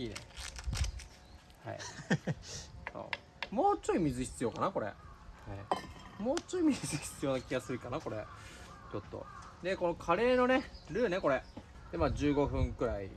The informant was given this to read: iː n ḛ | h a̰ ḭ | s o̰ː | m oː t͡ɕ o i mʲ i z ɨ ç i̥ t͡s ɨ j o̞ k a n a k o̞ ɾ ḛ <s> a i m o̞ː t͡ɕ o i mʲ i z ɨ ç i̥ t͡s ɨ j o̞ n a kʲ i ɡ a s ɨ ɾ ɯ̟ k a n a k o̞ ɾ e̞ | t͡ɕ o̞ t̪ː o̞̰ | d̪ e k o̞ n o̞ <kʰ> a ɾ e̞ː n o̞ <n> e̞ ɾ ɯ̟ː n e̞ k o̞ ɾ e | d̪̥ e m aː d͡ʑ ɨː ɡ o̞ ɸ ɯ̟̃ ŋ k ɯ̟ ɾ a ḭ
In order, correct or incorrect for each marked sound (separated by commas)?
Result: incorrect, correct, correct